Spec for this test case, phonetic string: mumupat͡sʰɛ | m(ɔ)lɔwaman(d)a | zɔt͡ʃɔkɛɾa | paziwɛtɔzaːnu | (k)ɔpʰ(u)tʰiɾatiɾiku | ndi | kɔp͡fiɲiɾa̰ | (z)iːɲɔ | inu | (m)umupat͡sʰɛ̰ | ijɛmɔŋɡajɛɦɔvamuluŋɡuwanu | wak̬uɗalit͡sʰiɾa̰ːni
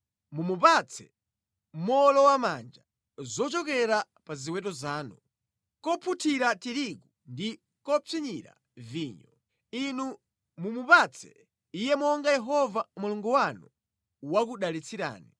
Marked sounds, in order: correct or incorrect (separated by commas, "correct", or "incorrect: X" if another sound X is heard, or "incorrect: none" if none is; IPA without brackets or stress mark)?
correct, incorrect: d͡ʒ, correct, correct, incorrect: v, correct